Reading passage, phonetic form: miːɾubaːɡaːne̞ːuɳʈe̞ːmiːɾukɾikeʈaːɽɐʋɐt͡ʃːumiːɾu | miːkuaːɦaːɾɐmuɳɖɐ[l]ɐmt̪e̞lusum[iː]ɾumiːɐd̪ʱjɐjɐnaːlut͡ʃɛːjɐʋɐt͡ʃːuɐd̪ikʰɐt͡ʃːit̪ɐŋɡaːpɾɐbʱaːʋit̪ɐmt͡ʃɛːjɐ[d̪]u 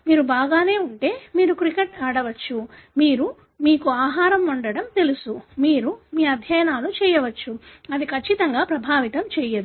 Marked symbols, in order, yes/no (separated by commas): no, yes, yes